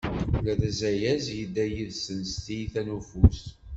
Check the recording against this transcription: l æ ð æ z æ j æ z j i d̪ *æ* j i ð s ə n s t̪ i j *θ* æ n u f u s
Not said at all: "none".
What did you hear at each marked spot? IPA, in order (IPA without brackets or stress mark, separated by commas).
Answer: æ, θ